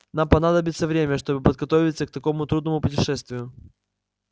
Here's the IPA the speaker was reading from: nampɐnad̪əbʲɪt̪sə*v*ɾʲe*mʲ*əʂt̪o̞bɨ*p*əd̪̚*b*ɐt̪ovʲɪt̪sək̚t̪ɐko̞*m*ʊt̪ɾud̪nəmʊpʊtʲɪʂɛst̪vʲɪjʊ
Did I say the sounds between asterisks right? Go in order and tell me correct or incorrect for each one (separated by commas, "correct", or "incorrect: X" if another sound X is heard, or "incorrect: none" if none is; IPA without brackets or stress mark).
correct, correct, correct, incorrect: ɡ, correct